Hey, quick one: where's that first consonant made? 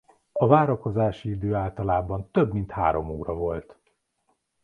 lips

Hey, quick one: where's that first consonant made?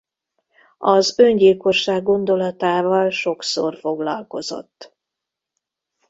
tongue tip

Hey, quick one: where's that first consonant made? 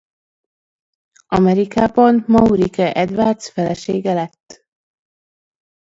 lips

